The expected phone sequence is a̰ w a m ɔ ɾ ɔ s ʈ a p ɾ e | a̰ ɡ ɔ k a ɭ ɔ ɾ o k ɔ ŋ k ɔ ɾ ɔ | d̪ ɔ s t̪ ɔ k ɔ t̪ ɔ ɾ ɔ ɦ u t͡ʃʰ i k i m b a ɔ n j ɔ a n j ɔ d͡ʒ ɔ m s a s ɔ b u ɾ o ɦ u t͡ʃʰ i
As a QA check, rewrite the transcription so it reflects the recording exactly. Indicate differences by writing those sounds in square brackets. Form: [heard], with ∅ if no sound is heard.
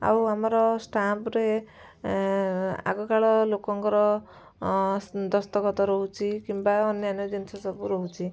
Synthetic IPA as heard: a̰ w a m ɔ ɾ ɔ s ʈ a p ɾ e | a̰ ɡ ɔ k a ɭ ɔ [l] o k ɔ ŋ k ɔ ɾ ɔ | d̪ ɔ s t̪ ɔ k ɔ t̪ ɔ ɾ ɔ ɦ u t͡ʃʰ i k i m b a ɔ n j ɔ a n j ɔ d͡ʒ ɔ [n] s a s ɔ b u ɾ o ɦ u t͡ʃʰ i